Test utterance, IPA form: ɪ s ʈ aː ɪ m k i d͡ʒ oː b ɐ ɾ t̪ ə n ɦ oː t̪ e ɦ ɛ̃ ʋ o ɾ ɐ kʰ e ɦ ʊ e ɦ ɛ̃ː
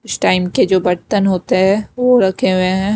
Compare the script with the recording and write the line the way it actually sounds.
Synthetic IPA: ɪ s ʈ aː ɪ m k e d͡ʒ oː b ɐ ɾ t̪ ə n ɦ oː t̪ e ɦ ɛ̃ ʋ o ɾ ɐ kʰ e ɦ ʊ e ɦ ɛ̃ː